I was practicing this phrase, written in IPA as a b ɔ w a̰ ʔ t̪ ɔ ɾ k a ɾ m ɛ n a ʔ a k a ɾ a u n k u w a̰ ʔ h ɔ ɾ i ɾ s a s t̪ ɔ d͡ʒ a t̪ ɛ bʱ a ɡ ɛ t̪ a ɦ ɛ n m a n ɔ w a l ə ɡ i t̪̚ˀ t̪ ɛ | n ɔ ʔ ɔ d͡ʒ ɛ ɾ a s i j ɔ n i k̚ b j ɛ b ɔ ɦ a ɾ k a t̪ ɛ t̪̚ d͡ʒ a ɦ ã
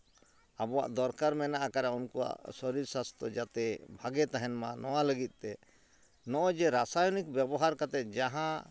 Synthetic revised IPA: a b ɔ w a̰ ʔ d̪ ɔ ɾ k a ɾ m ɛ n a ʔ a k a ɾ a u n k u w a̰ ʔ s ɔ ɾ i ɾ s a s t̪ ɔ d͡ʒ a t̪ ɛ bʱ a ɡ ɛ t̪ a ɦ ɛ n m a n ɔ w a l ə ɡ i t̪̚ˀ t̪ ɛ | n ɔ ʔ ɔ d͡ʒ ɛ ɾ a s a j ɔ n i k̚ b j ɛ b ɔ ɦ a ɾ k a t̪ ɛ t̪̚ d͡ʒ a ɦ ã